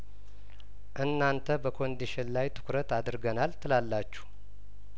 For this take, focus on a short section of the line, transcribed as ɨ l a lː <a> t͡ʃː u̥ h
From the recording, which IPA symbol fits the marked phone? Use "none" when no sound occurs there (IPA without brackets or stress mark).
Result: a